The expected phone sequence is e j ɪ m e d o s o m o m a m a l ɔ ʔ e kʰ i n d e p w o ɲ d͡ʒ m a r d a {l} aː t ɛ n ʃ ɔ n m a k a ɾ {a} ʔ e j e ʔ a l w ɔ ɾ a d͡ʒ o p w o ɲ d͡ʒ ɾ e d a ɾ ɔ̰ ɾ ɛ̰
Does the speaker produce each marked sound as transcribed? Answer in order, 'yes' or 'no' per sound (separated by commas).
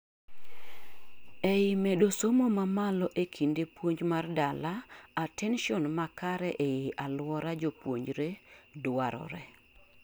yes, no